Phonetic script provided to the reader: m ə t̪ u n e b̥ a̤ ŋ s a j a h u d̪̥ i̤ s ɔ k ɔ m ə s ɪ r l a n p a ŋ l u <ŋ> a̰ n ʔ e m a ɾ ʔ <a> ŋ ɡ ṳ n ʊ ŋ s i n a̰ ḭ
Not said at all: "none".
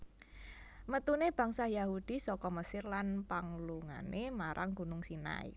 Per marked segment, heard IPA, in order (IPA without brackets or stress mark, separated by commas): ŋ, a